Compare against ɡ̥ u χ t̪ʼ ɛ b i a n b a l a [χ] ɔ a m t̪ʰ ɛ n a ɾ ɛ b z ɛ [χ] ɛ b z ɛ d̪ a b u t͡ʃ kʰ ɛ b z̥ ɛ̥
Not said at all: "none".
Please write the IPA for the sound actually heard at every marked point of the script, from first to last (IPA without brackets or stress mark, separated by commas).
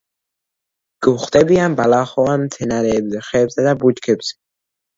χ, χ